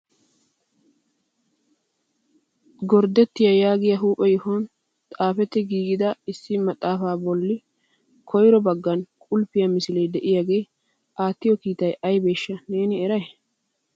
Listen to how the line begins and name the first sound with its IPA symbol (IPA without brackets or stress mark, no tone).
ɡ